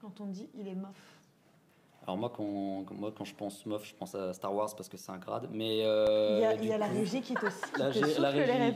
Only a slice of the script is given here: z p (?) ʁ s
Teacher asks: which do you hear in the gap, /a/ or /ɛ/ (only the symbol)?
a